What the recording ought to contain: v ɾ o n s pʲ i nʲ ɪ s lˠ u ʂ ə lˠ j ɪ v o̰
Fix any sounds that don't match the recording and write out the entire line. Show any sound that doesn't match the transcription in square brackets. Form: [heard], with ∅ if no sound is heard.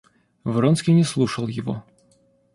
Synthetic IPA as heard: v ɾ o n s [kʲ] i nʲ ɪ s lˠ u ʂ ə lˠ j ɪ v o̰